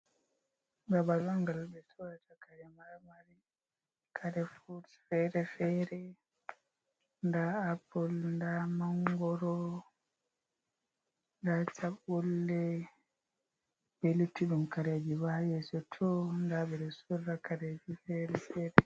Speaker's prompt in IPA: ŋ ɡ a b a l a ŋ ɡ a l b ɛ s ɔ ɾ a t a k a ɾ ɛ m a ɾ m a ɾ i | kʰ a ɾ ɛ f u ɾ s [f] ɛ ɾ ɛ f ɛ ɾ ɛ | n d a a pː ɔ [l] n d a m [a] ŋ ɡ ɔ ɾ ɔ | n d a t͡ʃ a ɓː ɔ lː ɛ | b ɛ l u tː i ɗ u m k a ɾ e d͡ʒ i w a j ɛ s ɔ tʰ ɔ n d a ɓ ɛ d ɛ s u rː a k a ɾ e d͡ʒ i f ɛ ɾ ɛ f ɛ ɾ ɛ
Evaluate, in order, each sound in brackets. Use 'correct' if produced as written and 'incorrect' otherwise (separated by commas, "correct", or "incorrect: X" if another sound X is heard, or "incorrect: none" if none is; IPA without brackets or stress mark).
correct, correct, correct